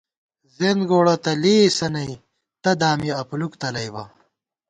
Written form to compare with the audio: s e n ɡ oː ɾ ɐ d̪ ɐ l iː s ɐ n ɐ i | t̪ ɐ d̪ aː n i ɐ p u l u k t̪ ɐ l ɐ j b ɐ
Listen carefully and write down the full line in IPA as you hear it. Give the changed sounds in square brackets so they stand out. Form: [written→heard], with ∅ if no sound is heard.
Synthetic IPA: [s→z] e n ɡ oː [ɾ→ɽ] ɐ [d̪→t̪] ɐ l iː s ɐ n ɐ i | t̪ ɐ d̪ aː [n→m] i ɐ p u l u k t̪ ɐ l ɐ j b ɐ